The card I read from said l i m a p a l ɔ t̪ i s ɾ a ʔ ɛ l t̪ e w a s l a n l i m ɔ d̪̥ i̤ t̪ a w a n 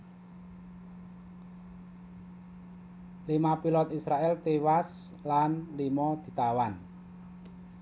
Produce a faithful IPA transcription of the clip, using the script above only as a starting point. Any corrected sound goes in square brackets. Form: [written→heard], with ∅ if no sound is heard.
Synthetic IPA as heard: l i m a p [a→i] l ɔ t̪ i s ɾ a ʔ ɛ l t̪ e w a s l a n l i m ɔ d̪̥ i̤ t̪ a w a n